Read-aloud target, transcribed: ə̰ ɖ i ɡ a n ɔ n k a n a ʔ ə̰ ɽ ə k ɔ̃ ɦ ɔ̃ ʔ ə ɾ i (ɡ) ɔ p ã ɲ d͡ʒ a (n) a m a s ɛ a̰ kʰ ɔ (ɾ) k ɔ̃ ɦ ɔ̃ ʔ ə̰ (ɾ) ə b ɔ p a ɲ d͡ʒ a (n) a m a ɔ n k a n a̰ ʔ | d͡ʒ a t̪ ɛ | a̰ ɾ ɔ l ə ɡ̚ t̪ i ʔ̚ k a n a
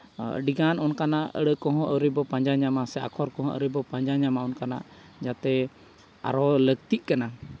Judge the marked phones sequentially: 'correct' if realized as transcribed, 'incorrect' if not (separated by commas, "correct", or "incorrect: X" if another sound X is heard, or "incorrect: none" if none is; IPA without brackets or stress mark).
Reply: incorrect: b, incorrect: ɲ, correct, correct, incorrect: ɲ